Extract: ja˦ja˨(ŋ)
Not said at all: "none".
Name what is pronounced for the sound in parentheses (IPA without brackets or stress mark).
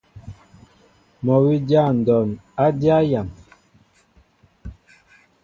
m